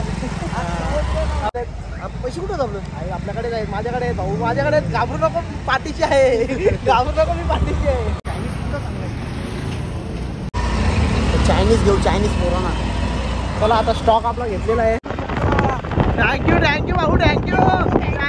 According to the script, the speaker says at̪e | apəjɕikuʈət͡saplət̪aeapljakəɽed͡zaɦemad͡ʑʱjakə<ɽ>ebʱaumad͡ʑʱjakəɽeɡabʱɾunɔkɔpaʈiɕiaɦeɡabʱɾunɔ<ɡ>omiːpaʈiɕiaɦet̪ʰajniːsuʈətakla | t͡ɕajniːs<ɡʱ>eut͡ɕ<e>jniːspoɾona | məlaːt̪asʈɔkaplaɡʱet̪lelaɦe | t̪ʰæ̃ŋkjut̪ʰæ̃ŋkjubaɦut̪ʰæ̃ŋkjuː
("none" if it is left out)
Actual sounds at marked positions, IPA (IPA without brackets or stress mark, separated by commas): ɽ, k, ɡʱ, a